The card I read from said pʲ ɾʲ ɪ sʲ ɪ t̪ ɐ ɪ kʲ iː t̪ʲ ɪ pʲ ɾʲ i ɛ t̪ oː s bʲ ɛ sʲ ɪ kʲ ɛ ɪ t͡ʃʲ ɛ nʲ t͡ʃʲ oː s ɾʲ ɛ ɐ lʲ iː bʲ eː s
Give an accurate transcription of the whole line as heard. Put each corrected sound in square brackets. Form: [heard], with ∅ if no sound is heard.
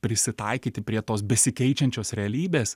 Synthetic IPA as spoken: pʲ ɾʲ ɪ sʲ ɪ t̪ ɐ ɪ kʲ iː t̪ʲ ɪ pʲ ɾʲ i ɛ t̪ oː s bʲ ɛ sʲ ɪ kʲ ɛ ɪ t͡ʃʲ ɛ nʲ t͡ʃʲ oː s ɾʲ ɛ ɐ lʲ iː bʲ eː s